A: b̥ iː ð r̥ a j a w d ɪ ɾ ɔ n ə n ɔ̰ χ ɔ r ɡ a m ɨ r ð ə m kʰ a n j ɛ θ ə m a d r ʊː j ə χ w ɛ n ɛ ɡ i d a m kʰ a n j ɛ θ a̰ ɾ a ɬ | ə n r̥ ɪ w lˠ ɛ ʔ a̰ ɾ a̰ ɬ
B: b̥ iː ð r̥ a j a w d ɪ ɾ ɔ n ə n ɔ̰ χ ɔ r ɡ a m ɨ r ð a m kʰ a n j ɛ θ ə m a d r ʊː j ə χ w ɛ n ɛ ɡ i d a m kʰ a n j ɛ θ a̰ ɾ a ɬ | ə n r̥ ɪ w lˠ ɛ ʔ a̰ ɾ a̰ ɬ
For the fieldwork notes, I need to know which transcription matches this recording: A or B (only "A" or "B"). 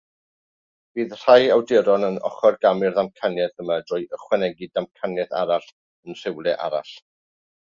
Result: B